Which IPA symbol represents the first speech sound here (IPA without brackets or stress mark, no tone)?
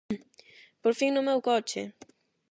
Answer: p